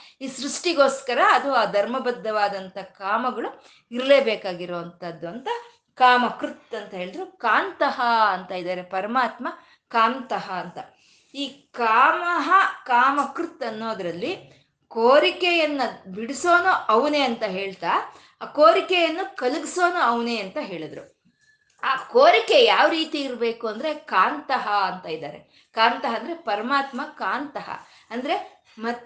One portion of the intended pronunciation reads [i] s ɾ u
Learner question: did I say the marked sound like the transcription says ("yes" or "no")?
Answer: no